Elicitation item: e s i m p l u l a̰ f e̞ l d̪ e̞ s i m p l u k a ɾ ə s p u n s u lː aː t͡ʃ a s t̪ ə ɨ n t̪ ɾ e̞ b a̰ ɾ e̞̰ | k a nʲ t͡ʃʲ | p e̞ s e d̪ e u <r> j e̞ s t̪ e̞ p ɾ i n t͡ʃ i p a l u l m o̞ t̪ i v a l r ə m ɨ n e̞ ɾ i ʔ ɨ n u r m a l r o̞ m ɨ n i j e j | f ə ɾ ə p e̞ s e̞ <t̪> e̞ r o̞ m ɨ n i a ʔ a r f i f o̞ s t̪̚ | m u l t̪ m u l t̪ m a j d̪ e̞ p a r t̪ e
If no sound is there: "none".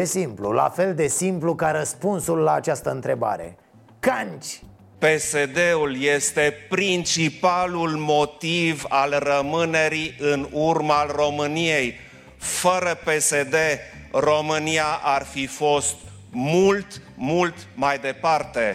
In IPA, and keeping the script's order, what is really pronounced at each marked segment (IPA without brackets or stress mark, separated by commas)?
l, d̪